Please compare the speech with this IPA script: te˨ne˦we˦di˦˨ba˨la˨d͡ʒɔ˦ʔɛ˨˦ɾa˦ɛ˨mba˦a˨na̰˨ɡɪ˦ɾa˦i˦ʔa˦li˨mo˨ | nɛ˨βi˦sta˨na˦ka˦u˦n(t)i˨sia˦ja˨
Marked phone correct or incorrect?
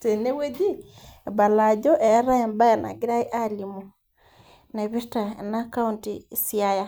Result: correct